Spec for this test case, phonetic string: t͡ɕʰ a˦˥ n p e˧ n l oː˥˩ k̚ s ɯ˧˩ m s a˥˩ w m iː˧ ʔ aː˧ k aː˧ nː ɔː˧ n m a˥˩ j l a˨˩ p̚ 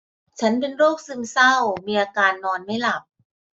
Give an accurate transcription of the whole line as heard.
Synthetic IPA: t͡ɕʰ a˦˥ n p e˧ n ɾ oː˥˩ k̚ s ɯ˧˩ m s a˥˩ w m iː˧ ʔ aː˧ k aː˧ nː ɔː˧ n m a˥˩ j l a˨˩ p̚